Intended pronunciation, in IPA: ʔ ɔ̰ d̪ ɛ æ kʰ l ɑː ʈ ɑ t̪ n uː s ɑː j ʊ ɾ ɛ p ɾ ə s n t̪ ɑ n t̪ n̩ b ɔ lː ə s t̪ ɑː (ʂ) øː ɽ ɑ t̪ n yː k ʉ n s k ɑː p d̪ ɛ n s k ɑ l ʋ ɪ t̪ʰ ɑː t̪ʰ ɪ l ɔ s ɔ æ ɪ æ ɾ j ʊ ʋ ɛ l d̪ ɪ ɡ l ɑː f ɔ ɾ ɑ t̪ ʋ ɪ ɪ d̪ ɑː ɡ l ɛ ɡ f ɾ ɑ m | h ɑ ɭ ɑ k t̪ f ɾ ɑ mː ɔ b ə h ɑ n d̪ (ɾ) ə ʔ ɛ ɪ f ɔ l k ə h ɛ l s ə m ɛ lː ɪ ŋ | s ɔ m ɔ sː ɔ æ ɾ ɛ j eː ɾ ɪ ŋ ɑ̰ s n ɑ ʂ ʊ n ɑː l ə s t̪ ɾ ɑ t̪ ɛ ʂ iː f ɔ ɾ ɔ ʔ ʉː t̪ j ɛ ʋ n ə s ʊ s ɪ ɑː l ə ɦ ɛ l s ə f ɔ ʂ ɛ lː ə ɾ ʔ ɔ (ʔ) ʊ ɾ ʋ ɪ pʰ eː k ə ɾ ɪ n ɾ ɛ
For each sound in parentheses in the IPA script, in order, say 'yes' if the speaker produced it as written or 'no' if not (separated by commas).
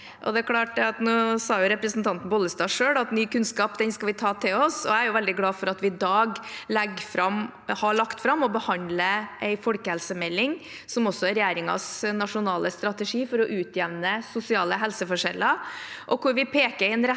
yes, no, no